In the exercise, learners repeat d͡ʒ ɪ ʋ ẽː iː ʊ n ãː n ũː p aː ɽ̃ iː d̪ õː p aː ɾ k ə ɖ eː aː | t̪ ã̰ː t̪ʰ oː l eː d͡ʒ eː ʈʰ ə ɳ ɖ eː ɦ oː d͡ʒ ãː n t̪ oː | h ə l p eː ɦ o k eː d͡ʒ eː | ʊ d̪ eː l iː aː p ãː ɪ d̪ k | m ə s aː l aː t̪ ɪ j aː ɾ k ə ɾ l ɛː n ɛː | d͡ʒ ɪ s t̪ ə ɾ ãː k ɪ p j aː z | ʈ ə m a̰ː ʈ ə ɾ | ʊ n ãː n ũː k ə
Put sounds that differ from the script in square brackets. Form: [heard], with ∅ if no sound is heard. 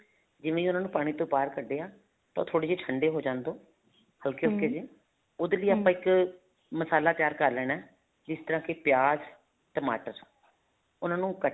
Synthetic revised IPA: d͡ʒ ɪ ʋ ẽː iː ʊ n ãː n ũː p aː ɽ̃ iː [t̪] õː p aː ɾ k ə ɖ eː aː | t̪ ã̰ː t̪ʰ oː [ɽ] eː d͡ʒ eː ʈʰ ə ɳ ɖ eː ɦ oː d͡ʒ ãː n [d̪] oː | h ə l [k] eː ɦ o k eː d͡ʒ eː | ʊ d̪ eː l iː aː p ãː ɪ [∅] k | m ə s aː l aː t̪ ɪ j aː ɾ k ə ɾ l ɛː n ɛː | d͡ʒ ɪ s t̪ ə ɾ ãː k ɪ p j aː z | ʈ ə m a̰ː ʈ ə ɾ | ʊ n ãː n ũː k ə